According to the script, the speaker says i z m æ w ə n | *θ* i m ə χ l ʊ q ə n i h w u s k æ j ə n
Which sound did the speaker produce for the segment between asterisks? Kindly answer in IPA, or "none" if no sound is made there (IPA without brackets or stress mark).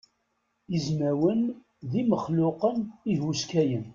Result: ð